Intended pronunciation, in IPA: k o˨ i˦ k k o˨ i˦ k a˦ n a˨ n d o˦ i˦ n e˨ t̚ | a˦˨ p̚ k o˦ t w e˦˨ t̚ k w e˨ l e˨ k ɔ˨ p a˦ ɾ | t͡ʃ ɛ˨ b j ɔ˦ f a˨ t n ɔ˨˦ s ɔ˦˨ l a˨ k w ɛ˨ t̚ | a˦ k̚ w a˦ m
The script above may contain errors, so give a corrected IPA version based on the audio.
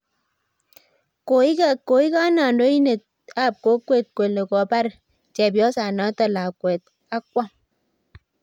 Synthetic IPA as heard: k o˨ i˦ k k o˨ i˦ k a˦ n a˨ n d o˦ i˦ n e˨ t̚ | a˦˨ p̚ k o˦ k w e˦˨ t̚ k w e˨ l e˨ k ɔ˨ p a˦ ɾ | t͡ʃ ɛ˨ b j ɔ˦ s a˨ n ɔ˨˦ t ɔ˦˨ l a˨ k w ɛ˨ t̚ | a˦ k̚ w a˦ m

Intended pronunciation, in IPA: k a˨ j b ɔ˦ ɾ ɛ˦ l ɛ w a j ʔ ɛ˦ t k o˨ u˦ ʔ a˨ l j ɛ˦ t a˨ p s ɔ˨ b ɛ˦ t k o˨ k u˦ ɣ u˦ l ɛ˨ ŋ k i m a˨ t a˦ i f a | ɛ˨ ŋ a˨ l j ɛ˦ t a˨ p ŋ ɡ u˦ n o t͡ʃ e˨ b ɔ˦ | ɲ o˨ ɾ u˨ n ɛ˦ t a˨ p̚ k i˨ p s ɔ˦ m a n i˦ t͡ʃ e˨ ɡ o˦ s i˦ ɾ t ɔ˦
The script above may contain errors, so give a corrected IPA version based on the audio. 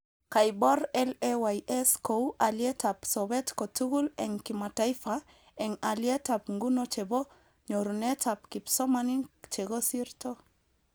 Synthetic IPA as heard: k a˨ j b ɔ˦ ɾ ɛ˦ l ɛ w a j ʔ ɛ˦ s k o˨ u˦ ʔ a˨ l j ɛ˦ t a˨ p s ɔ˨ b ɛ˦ t k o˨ t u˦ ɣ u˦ l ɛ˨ ŋ k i m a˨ t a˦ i f a | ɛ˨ ŋ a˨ l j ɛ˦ t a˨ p ŋ ɡ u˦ n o t͡ʃ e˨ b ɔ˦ | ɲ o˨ ɾ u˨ n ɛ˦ t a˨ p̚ k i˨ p s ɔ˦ m a n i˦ t͡ʃ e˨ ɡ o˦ s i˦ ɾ t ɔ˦

